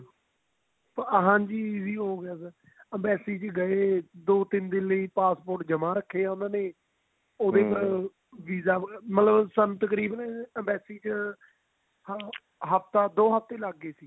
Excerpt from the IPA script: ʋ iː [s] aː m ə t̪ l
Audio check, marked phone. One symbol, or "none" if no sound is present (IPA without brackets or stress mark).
z